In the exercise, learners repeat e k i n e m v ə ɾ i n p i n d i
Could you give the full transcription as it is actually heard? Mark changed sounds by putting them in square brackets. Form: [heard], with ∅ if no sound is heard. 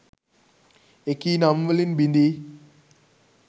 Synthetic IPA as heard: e k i n [a] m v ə [l] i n [b] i n d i